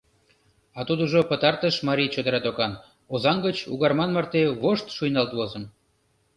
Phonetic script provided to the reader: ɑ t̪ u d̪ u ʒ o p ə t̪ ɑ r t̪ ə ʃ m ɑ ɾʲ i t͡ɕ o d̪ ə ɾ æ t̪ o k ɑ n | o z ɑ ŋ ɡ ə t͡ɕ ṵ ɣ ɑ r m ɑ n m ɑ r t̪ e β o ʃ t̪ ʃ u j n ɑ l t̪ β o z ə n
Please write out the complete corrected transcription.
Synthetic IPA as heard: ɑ t̪ u d̪ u ʒ o p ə t̪ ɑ r t̪ ə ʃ m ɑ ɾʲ i t͡ɕ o d̪ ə ɾ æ t̪ o k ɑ n | o z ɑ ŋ ɡ ə t͡ɕ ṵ ɣ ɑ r m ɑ n m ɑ r t̪ e β o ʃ t̪ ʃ u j n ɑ l t̪ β o z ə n